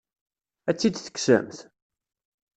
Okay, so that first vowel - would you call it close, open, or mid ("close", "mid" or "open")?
open